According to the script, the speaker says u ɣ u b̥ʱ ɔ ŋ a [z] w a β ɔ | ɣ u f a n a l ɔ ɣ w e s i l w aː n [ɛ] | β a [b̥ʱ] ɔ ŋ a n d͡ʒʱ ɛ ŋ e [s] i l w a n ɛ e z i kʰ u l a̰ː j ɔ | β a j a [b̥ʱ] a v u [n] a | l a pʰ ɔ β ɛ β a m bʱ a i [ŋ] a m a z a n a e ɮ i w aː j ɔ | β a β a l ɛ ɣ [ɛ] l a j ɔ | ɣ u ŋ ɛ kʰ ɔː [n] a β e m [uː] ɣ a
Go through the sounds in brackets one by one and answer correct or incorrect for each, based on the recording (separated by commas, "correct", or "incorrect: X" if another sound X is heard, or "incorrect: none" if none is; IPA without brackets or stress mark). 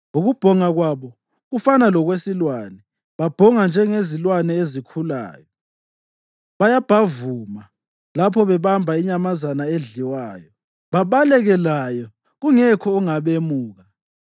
incorrect: ɣ, correct, correct, incorrect: z, correct, incorrect: m, incorrect: ɲ, correct, incorrect: ŋ, correct